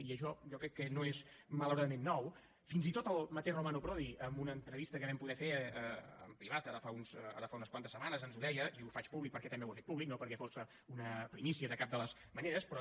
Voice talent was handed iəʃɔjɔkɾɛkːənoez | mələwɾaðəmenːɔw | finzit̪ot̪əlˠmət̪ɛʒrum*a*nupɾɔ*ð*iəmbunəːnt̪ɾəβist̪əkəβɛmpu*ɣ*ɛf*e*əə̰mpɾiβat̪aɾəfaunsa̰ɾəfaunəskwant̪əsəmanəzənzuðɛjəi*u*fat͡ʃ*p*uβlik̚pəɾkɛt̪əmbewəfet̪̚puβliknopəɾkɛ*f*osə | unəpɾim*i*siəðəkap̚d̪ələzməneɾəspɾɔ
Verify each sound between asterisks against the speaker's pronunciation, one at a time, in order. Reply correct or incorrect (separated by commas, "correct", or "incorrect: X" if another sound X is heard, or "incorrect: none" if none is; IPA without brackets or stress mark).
correct, correct, incorrect: ð, correct, correct, correct, correct, correct